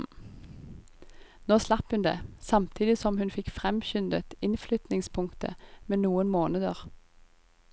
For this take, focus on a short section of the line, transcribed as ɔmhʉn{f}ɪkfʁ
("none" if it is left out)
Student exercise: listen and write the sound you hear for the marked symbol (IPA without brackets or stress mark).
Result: f